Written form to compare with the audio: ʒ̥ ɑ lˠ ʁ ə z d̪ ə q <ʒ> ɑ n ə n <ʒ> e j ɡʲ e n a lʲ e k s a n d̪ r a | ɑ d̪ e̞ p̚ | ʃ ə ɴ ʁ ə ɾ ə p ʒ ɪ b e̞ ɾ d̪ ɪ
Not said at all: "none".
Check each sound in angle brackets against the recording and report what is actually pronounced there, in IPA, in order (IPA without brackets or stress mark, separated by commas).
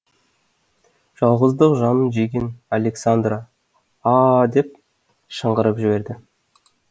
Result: ʒ, ʒ